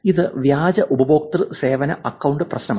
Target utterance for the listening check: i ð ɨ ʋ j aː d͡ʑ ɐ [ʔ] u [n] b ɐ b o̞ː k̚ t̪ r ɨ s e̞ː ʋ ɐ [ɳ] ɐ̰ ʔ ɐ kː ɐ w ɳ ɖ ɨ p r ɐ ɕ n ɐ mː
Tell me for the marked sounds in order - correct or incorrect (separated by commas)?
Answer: correct, incorrect, incorrect